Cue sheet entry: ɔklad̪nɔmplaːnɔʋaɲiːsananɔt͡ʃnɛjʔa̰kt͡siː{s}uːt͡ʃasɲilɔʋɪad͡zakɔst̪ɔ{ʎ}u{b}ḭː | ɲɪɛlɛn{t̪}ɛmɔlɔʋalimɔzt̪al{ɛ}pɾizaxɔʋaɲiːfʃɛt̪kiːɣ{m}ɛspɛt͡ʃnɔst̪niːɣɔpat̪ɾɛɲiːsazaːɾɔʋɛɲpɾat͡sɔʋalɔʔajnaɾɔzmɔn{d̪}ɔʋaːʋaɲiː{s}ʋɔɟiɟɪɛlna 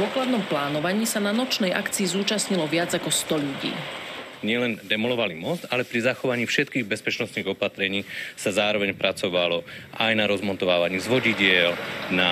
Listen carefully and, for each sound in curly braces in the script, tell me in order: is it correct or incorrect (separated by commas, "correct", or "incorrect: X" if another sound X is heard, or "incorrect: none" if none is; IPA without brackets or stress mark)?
incorrect: z, correct, incorrect: ɟ, incorrect: d̪, correct, incorrect: b, incorrect: t̪, incorrect: z